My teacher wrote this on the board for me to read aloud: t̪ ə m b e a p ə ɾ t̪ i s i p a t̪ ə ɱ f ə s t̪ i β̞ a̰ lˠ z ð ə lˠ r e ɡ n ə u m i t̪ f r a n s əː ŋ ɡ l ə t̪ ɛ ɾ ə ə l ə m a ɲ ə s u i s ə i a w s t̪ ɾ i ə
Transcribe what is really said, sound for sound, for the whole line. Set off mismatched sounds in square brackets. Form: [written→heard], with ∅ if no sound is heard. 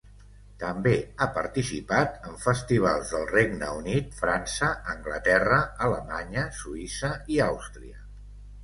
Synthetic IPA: t̪ ə m b e a p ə ɾ t̪ i s i p a t̪ ə ɱ f ə s t̪ i β̞ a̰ lˠ z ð ə lˠ r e ɡ n ə u [m→n] i t̪ f [r→ɾ] a n s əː ŋ ɡ l ə t̪ ɛ [ɾ→r] ə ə l ə m a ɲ ə s u i s ə i a w s t̪ ɾ i ə

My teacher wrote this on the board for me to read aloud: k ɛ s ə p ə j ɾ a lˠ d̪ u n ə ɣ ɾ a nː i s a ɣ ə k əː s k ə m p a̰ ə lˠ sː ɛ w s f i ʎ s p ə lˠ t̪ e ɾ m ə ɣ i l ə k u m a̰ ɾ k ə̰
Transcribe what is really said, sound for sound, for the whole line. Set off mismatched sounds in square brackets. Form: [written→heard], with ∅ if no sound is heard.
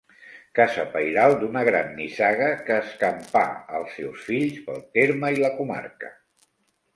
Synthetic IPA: k [ɛ→a] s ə p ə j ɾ a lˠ d̪ u n ə ɣ ɾ a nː i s a ɣ ə k əː s k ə m p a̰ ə lˠ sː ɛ w s f i ʎ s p ə lˠ t̪ e ɾ m ə [ɣ→∅] i l ə k u m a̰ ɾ k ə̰

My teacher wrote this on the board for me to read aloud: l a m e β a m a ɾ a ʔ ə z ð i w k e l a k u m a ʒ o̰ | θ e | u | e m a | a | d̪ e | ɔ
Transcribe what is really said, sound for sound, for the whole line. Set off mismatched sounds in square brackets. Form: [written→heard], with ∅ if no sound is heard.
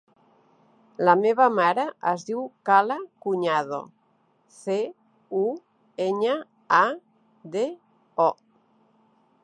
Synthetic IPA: l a m e β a m a ɾ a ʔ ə z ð i w k [e→a] l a k u [m→ɲ] a [ʒ→ð] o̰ | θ e | u | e [m→ɲ] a | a | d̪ e | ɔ

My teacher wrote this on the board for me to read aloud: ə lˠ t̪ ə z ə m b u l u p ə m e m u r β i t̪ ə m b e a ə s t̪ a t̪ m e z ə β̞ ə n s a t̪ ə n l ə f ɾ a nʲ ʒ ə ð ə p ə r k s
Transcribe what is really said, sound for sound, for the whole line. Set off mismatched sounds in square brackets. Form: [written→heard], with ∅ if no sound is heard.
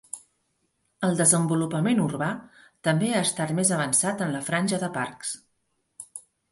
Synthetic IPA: ə lˠ [t̪→d̪] ə z ə m b u l u p ə m e [m→n] u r β [i→a] t̪ ə m b e a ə s t̪ a t̪ m e z ə β̞ ə n s a t̪ ə n l ə f ɾ a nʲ ʒ ə ð ə p [ə→a] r k s

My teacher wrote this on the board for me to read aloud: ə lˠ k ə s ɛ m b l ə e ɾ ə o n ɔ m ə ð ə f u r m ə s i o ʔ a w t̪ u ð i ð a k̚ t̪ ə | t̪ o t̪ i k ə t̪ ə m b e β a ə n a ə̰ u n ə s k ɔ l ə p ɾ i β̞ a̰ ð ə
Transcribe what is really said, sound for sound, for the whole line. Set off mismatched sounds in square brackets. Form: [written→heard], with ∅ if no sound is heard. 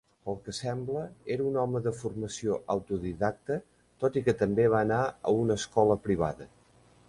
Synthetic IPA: ə lˠ k ə s ɛ m b l ə e ɾ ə [o→u] n ɔ m ə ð ə f u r m ə s i o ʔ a w t̪ u ð i ð a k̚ t̪ ə | t̪ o t̪ i k ə t̪ ə m b e β a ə n a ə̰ u n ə s k ɔ l ə p ɾ i β̞ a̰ ð ə

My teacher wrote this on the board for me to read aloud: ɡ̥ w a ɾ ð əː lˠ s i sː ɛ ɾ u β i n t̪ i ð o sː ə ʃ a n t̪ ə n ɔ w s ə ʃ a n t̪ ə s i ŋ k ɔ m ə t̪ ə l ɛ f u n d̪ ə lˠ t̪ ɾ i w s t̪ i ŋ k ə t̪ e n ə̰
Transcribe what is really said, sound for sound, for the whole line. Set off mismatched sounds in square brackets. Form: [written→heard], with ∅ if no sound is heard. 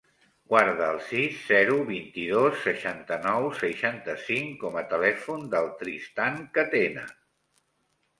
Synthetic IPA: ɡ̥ w a ɾ ð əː lˠ s i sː ɛ ɾ u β i n t̪ i ð o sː ə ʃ a n t̪ ə n ɔ w s ə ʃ a n t̪ ə s i ŋ k ɔ m ə t̪ ə l ɛ f u n d̪ ə lˠ t̪ ɾ i [w→∅] s t̪ [i→a] ŋ k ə t̪ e n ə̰

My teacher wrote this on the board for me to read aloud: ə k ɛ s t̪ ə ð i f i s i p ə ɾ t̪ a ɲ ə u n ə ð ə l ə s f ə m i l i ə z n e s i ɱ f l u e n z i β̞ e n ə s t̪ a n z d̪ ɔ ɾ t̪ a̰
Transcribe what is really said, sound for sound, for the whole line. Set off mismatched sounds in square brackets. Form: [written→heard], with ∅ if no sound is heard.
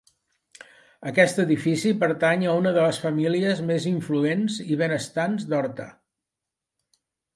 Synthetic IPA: ə k ɛ s t̪ ə ð i f i s i p ə ɾ t̪ a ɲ ə u n ə ð ə l ə s f ə m i l i ə z [n→m] e [s→z] i ɱ f l u e n z i β̞ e n ə s t̪ a n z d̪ ɔ ɾ t̪ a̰

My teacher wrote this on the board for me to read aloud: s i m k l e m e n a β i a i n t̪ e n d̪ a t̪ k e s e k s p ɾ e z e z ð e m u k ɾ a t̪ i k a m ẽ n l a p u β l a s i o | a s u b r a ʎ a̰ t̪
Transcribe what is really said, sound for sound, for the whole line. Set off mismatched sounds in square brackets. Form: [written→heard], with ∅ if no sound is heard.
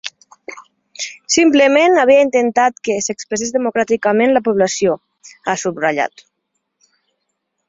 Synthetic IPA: s i m [k→p] l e m e n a β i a i n t̪ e n [d̪→t̪] a t̪ k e s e k s p ɾ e [z→s] e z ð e m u k ɾ a t̪ i k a m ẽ n l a p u β l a s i o | a s u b r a ʎ a̰ t̪

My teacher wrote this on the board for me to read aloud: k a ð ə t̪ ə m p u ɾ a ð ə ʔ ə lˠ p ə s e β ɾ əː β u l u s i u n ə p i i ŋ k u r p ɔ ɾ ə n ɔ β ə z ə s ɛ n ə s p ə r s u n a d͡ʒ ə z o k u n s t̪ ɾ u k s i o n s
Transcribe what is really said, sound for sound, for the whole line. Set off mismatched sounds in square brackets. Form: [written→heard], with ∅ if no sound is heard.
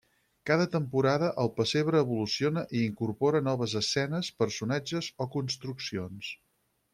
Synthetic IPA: k a ð ə t̪ ə m p u ɾ a ð ə ʔ ə lˠ p ə s e β ɾ əː β u l u s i [u→o] n ə [p→ʔ] i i ŋ k u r p ɔ ɾ ə n ɔ β ə z ə s ɛ n ə s p ə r s u n a d͡ʒ ə z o k u n s t̪ ɾ u k s i o n s

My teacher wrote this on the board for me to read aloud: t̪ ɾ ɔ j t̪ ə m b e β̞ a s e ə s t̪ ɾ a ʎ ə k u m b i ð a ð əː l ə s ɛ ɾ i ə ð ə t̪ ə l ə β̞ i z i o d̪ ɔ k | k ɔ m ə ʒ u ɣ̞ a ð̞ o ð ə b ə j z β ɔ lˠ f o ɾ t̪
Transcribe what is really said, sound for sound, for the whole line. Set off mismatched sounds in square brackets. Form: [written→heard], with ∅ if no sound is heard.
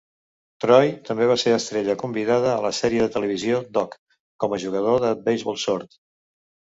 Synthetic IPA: t̪ ɾ ɔ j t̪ ə m b e β̞ a s e ə s t̪ ɾ [a→e] ʎ ə k u m b i ð a ð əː l ə s ɛ ɾ i ə ð ə t̪ ə l ə β̞ i z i o d̪ ɔ k | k ɔ m ə ʒ u ɣ̞ [a→ə] ð̞ o ð ə b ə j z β ɔ lˠ [f→s] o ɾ t̪

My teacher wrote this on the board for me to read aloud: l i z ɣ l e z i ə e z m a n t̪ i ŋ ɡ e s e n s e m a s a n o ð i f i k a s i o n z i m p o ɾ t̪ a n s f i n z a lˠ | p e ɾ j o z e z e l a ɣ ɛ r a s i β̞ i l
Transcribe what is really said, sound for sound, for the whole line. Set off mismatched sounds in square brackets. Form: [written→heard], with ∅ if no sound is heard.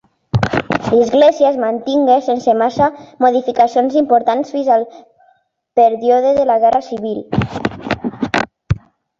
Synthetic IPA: l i z ɣ l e z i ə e z m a n t̪ i ŋ ɡ e s e n s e m a s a [n→m] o ð i f i k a s i o n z i m p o ɾ t̪ a n s f i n z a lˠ | p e ɾ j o [z→ð] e [z→ð] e l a ɣ ɛ r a s i β̞ i l

